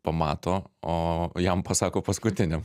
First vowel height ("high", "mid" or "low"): low